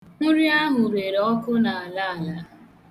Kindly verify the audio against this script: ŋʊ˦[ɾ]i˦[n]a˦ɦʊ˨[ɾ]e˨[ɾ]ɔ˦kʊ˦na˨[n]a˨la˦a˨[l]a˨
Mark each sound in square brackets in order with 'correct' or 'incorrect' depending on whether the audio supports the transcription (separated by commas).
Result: correct, incorrect, correct, correct, incorrect, correct